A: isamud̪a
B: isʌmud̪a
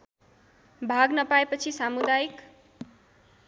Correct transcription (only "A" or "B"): A